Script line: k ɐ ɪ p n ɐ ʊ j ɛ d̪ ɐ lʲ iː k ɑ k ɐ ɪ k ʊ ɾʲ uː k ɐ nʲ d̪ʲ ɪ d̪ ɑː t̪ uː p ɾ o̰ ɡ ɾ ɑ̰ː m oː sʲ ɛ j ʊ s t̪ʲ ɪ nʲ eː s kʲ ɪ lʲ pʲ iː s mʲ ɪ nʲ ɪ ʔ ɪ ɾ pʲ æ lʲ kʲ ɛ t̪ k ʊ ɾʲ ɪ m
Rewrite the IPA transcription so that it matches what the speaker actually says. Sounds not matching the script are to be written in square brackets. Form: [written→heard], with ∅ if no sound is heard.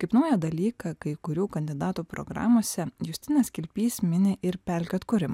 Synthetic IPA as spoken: k ɐ ɪ p n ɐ ʊ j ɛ d̪ ɐ lʲ iː k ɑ k ɐ ɪ k ʊ ɾʲ uː k ɐ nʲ d̪ʲ ɪ d̪ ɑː t̪ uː p ɾ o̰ ɡ ɾ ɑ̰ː m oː sʲ ɛ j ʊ s t̪ʲ ɪ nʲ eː s kʲ ɪ lʲ pʲ iː s mʲ ɪ nʲ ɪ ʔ ɪ ɾ pʲ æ lʲ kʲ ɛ t̪ k ʊ ɾʲ ɪ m